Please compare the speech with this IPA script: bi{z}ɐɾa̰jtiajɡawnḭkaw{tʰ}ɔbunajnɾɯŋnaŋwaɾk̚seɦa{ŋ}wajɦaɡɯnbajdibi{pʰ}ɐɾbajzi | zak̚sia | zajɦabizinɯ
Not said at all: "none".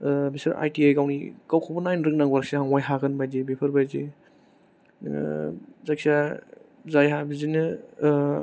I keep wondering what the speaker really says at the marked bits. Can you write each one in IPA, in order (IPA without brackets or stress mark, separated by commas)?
s, kʰ, ŋ, pʰ